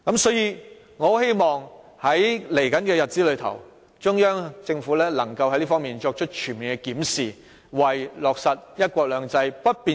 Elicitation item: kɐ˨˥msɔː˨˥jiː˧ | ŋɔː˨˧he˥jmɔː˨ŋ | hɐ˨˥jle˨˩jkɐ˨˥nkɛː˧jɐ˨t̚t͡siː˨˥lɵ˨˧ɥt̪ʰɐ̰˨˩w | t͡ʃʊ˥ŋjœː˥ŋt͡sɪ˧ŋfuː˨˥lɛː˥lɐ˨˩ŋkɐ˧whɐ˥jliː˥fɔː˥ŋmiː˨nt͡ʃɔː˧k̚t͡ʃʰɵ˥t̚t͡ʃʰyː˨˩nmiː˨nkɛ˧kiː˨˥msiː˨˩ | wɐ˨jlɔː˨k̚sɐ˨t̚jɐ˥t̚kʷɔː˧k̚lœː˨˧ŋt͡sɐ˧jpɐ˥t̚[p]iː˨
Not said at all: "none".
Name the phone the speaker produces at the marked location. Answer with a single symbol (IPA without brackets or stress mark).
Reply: p